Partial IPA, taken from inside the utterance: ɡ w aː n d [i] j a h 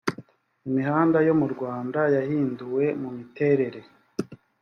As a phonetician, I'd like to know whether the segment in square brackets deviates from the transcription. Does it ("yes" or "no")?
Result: yes